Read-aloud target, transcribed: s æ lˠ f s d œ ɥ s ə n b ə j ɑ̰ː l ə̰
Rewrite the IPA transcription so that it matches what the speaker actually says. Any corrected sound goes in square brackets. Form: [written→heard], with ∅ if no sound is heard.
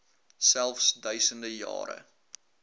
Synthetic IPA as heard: s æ lˠ f s d œ ɥ s ə n [b→d] ə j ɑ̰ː [l→ɾ] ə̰